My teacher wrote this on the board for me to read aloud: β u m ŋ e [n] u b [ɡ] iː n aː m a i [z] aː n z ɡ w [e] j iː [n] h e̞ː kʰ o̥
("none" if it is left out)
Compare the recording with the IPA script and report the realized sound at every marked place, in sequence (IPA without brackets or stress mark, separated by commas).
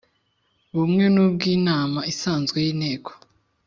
n, ɡ, s, e, n